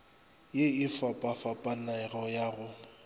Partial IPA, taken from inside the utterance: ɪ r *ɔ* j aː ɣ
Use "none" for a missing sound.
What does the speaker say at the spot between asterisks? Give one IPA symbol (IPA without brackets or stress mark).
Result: ɔ